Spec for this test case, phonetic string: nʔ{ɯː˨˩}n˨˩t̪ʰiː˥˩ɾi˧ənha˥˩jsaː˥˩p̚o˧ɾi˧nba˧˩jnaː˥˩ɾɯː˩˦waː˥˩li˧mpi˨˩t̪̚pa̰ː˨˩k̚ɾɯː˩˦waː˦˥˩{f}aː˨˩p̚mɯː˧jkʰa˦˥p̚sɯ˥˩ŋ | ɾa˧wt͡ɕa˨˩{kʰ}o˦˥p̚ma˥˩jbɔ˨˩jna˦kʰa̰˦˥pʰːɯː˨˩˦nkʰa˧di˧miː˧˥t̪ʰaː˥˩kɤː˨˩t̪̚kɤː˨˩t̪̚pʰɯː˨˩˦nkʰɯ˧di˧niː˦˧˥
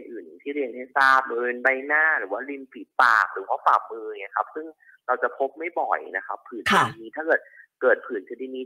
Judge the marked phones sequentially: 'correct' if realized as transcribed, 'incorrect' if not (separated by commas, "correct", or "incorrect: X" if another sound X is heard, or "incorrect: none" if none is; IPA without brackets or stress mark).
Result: correct, correct, incorrect: pʰ